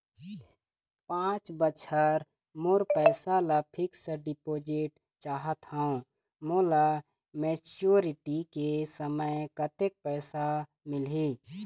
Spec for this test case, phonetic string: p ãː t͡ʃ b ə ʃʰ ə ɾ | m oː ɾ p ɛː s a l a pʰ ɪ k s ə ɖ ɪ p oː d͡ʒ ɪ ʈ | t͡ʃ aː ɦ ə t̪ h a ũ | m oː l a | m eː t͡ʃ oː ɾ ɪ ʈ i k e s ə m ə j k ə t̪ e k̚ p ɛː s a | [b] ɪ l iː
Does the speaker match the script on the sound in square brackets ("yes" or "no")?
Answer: no